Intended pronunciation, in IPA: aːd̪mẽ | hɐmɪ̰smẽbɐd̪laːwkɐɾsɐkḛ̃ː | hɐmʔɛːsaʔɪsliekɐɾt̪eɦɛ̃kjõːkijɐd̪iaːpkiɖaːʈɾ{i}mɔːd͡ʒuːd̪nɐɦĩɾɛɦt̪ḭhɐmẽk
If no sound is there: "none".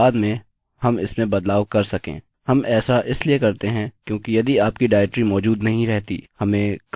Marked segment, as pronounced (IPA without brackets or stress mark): i